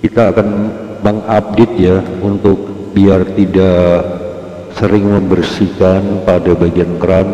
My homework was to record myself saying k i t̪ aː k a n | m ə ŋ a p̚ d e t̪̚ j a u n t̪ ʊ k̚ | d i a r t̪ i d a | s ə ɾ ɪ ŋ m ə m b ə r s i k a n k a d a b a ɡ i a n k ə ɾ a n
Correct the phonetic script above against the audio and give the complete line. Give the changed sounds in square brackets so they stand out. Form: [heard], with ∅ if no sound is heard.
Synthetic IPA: k i t̪ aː k a n | m ə ŋ a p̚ d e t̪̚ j a u n t̪ ʊ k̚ | [b] i a r t̪ i d a | s ə ɾ ɪ ŋ m ə m b ə r s i k a n [p] a d a b a ɡ i a n k ə ɾ a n

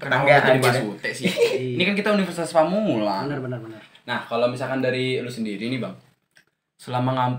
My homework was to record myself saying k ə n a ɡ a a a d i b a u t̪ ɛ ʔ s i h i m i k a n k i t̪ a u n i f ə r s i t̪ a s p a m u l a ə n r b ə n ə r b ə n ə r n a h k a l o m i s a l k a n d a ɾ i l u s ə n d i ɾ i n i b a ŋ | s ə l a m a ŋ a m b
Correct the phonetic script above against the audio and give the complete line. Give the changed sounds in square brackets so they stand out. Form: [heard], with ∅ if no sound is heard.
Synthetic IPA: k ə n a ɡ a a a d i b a u t̪ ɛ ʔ s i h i [n] i k a n k i t̪ a u n i f ə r s i t̪ a s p a m u l a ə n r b ə n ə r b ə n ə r n a h k a l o m i s a l k a n d a ɾ i l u s ə n d i ɾ i n i b a ŋ | s ə l a m a ŋ a m [p]

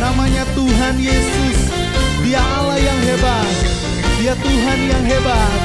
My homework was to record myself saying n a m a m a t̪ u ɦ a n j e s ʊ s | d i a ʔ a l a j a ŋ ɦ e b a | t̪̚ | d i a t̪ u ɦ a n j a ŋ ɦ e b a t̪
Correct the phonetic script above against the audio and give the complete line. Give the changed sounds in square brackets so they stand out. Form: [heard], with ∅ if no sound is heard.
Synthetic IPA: n a m a [ɲ] a t̪ u ɦ a n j e s ʊ s | d i a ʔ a l a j a ŋ ɦ e b a | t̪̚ | d i a t̪ u ɦ a n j a ŋ ɦ e b a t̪

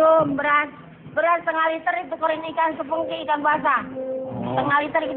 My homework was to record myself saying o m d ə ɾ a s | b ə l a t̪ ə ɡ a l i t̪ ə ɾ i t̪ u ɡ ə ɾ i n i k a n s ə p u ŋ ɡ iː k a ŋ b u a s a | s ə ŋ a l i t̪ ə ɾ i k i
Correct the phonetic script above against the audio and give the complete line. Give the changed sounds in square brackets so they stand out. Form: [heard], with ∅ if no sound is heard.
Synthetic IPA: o m [b] ə ɾ a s | b ə [ɾ] a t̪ ə [ŋ] a l i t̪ ə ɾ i t̪ u [k] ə ɾ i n i k a n s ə p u ŋ [k] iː k a [n] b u a s a | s ə ŋ a l i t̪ ə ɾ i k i

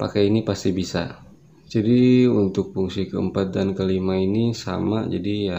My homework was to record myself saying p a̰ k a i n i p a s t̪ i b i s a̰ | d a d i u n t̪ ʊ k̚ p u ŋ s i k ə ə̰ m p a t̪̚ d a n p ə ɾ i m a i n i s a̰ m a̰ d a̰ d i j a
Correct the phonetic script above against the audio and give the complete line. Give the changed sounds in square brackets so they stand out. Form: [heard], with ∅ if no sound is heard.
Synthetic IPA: p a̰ k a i n i p a s t̪ i b i s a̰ | [d͡ʒ] a d i u n t̪ ʊ k̚ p u ŋ s i k ə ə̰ m p a t̪̚ d a n [k] ə [l] i m a i n i s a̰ m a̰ [d͡ʒ] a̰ d i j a

